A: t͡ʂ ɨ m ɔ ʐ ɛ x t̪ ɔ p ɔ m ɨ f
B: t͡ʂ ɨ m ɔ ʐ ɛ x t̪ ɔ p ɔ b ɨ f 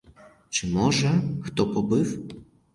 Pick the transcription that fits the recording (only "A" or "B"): B